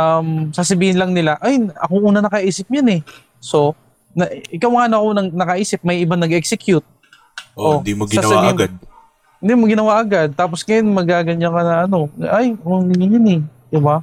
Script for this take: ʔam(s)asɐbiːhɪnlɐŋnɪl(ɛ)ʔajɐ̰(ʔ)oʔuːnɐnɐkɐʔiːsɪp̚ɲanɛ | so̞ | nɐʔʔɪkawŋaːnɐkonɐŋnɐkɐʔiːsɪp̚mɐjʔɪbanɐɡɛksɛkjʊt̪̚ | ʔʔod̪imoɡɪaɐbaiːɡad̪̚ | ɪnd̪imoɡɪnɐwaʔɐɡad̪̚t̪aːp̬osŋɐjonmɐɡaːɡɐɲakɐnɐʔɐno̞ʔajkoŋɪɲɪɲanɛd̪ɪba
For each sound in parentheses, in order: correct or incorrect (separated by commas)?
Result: correct, incorrect, incorrect